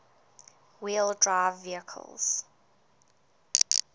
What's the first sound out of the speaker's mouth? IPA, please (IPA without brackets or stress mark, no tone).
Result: w